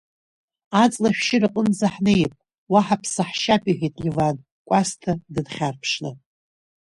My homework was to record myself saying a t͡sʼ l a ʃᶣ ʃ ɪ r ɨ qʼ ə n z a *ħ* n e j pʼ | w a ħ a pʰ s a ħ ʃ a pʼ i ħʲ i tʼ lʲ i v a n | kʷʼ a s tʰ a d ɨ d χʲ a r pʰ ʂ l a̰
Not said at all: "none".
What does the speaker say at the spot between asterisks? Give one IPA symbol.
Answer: ħ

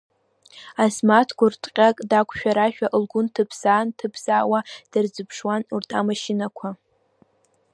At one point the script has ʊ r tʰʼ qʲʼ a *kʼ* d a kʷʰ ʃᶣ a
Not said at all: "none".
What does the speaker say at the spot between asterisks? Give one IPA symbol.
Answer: kʼ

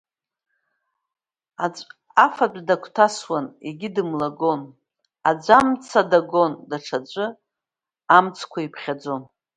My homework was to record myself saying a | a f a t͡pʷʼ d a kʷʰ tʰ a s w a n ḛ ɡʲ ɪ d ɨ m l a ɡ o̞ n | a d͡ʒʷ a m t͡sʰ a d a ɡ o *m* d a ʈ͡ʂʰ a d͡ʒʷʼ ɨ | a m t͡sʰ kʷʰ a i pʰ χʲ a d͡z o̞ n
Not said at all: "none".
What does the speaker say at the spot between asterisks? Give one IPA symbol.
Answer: n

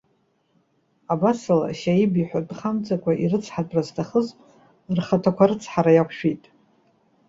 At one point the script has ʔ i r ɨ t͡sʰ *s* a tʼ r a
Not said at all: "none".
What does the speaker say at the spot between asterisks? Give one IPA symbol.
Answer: ħ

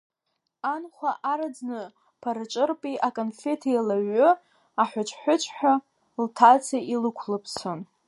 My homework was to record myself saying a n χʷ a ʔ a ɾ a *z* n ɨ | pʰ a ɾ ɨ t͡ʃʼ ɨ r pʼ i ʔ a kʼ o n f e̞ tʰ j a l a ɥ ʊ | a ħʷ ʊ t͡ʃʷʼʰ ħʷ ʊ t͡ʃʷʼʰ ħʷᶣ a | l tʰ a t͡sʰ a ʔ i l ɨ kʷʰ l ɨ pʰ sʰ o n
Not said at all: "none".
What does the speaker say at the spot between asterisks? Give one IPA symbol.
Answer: d͡z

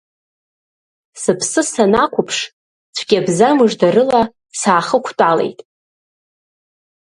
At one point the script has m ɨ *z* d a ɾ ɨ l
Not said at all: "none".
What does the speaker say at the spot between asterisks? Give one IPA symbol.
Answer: ʐ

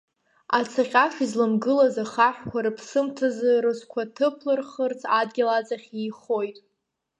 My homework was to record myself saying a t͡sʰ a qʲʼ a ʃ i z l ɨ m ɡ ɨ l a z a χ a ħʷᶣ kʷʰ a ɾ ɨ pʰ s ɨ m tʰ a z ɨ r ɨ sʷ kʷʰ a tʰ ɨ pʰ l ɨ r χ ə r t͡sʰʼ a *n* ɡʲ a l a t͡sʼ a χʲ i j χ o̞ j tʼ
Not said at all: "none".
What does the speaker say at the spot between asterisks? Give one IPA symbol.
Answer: d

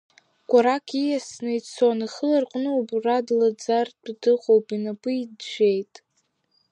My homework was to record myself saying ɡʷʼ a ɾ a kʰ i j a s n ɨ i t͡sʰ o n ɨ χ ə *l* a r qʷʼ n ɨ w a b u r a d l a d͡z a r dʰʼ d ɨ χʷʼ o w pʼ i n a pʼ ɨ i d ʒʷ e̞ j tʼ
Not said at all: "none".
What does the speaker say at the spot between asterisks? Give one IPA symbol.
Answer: l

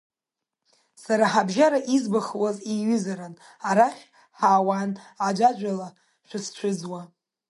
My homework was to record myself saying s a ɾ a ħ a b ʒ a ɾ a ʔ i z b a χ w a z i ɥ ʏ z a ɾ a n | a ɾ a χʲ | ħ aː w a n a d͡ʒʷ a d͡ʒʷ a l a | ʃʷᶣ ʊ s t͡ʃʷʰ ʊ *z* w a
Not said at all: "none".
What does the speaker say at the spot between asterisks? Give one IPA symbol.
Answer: d͡z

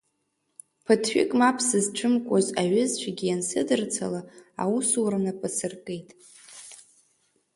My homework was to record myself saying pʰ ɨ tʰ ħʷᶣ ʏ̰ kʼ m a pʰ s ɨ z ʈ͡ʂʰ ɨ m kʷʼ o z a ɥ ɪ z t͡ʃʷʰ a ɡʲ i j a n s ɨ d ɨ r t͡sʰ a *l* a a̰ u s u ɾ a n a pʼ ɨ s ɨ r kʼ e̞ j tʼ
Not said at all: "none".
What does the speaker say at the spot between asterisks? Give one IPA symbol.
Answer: l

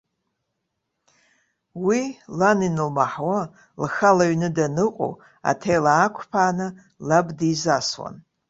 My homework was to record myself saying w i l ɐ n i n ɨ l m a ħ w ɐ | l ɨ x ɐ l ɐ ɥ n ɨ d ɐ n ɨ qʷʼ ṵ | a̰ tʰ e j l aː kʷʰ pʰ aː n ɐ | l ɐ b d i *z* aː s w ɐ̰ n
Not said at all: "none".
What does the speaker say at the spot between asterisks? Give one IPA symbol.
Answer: z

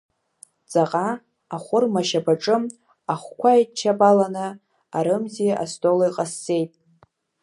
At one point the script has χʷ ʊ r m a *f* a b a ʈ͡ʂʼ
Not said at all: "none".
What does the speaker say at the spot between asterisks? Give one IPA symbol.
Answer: ʃ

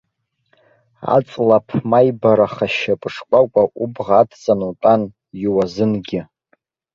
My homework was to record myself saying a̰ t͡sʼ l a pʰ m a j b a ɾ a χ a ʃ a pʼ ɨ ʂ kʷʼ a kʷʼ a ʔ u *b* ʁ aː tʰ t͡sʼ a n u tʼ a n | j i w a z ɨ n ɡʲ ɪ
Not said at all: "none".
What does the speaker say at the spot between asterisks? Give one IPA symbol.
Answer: b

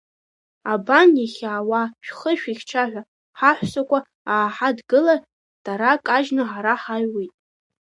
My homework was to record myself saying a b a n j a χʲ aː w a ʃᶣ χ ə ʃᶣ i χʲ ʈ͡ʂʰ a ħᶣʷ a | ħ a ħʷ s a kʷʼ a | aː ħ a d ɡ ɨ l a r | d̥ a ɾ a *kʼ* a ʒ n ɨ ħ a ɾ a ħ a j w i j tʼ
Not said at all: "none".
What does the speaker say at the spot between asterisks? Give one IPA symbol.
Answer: kʼ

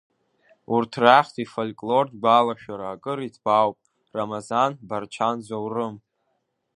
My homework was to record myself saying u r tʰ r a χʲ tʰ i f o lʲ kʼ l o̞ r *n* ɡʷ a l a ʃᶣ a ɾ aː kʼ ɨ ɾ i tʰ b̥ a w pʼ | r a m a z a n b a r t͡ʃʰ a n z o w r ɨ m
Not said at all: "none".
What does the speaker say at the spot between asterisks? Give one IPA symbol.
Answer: d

